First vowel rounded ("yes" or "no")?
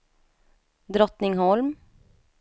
yes